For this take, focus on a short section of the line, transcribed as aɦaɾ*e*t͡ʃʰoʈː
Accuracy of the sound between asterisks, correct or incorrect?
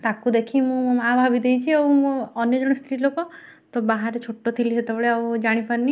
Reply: correct